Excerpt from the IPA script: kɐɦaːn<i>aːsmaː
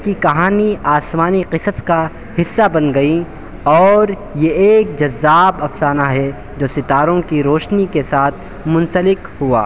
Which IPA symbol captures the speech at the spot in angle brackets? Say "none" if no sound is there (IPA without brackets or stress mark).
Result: i